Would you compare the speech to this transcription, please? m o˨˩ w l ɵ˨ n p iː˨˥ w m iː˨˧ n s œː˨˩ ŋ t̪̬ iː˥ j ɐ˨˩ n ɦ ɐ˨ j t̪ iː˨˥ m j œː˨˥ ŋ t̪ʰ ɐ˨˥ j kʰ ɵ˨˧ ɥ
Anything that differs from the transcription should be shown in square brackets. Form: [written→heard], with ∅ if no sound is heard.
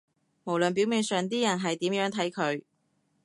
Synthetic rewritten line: m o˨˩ w l ɵ˨ n p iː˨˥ w m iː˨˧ n s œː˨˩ ŋ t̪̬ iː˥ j ɐ˨˩ n ɦ ɐ˨ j t̪ iː˨˥ m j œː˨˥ ŋ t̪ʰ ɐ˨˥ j kʰ ɵ˨˧ ɥ